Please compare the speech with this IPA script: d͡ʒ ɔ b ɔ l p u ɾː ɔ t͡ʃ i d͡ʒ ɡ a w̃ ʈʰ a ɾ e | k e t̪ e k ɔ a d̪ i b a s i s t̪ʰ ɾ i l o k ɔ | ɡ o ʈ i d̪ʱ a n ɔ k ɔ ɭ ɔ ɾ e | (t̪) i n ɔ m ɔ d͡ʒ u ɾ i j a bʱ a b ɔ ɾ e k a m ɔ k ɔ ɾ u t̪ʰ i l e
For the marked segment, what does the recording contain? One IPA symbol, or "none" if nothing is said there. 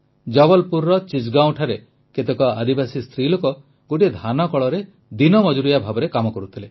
d̪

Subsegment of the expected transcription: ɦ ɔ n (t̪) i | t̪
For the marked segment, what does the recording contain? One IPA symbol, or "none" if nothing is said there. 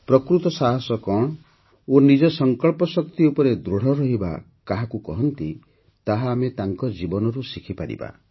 t̪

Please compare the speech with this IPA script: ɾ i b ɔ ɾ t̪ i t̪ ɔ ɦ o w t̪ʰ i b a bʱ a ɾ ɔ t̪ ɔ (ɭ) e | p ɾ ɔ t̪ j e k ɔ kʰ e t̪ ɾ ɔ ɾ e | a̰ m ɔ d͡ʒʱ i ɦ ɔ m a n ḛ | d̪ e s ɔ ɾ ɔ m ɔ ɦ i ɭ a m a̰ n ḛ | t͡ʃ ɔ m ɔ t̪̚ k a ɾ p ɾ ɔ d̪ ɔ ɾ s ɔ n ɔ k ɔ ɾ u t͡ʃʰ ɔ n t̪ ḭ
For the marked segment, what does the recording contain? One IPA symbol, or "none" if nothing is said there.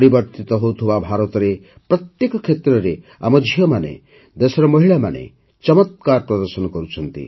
ɾ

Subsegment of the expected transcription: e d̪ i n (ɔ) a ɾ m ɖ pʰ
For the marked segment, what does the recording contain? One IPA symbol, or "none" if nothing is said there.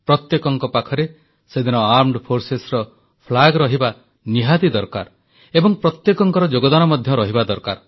ɔ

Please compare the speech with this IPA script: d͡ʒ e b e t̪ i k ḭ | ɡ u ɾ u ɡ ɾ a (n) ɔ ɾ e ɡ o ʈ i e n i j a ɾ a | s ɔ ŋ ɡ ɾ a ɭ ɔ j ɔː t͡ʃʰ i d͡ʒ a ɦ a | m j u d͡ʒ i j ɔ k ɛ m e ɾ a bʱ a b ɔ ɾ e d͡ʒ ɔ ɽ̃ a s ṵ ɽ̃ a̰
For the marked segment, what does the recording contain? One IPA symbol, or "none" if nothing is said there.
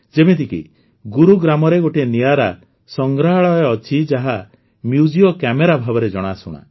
m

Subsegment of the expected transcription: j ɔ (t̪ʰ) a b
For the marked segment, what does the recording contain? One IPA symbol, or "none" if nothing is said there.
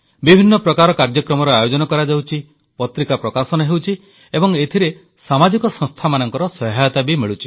t̪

